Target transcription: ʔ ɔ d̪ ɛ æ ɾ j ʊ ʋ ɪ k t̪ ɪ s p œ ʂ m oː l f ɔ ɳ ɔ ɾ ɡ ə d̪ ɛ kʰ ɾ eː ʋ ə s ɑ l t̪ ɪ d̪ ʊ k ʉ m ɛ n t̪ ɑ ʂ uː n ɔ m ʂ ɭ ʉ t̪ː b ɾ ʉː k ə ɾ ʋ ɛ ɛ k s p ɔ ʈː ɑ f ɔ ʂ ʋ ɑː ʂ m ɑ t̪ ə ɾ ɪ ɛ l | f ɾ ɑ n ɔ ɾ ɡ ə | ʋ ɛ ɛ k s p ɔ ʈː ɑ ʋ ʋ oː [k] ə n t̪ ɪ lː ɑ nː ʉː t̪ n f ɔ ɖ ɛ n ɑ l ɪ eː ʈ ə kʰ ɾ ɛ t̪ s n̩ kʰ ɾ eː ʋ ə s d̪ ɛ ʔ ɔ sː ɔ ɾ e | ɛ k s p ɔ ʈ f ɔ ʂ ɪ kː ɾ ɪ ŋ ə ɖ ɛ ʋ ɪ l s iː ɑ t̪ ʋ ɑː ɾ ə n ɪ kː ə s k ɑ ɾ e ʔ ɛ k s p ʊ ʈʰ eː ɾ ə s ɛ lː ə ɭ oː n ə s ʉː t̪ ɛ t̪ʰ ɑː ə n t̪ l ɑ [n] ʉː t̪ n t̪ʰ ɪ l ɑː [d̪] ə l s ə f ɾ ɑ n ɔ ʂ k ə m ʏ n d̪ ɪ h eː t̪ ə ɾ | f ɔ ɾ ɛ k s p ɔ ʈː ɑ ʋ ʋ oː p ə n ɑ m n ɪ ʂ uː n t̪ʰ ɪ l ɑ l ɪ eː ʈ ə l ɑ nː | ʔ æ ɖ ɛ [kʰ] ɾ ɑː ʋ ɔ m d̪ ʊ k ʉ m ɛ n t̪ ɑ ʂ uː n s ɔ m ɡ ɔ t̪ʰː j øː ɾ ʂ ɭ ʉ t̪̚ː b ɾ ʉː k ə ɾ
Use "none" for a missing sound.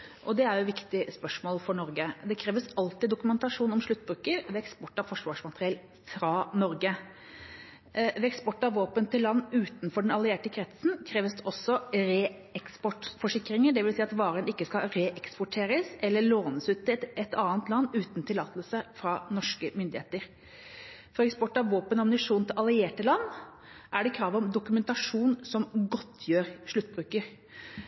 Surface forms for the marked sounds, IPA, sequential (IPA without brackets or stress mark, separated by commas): p, nː, t̪, kʰ